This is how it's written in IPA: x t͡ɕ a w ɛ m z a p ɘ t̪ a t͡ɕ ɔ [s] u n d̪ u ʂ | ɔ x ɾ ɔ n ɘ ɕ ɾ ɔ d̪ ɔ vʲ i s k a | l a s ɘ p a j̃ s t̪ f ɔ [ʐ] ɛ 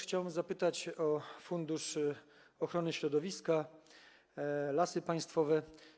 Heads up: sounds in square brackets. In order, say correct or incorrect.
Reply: incorrect, incorrect

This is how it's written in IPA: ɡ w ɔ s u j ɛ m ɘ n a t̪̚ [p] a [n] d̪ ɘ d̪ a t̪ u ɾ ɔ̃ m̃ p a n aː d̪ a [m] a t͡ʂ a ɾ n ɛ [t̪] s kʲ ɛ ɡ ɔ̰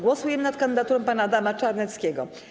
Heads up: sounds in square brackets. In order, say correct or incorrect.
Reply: incorrect, correct, correct, correct

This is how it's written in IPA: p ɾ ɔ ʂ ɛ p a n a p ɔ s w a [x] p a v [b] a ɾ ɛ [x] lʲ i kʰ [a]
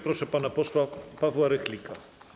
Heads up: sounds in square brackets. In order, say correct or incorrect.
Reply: incorrect, incorrect, correct, correct

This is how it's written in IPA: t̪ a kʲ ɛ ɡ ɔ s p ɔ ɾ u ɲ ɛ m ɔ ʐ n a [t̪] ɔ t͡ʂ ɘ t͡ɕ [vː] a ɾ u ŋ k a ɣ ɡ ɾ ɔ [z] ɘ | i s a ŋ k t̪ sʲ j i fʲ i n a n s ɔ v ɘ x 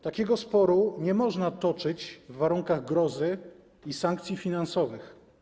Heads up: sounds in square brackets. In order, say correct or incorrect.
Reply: correct, correct, correct

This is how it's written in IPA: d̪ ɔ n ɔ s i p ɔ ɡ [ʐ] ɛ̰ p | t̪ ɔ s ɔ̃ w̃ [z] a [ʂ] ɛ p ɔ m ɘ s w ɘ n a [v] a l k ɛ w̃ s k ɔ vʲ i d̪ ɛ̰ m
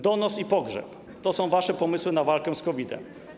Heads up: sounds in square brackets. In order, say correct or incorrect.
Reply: correct, incorrect, correct, correct

